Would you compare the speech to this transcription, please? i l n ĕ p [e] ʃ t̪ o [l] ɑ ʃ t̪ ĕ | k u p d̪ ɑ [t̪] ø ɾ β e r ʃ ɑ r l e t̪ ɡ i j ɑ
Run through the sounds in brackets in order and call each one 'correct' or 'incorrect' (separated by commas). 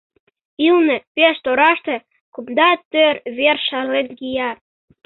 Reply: correct, incorrect, correct